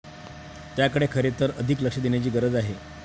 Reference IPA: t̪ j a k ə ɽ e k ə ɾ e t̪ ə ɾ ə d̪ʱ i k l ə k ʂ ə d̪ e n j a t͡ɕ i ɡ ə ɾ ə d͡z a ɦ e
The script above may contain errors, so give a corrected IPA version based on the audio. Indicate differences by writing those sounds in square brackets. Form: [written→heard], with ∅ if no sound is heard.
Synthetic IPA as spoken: t̪ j a k ə ɽ e [k→kʰ] ə ɾ e t̪ ə ɾ ə d̪ʱ i k l ə k ʂ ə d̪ e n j a t͡ɕ [i→iː] ɡ ə ɾ ə d͡z a ɦ e